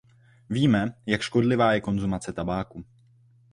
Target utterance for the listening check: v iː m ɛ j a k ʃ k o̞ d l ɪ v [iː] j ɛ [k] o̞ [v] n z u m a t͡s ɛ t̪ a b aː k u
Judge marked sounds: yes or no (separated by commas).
no, yes, no